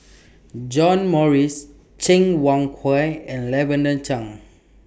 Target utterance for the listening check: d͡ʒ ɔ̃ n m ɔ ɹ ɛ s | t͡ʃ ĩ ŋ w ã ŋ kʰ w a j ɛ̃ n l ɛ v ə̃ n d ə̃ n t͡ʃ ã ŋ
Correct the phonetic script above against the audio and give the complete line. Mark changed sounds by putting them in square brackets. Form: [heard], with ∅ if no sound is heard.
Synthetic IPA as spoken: d͡ʒ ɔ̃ n m ɔ ɹ [i] s | t͡ʃ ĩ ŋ w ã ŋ kʰ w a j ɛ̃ n l ɛ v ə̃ n d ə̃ n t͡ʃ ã ŋ